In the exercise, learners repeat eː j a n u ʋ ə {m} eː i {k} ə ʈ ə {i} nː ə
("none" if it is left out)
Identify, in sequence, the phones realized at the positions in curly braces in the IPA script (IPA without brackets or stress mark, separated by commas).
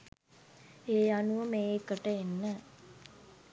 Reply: m, k, e